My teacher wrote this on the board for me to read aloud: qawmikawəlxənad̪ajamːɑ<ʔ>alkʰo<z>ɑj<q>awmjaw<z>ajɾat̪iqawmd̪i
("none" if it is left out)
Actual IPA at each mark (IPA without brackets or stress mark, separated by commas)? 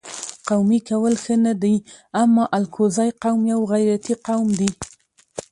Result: ʔ, z, q, ɣ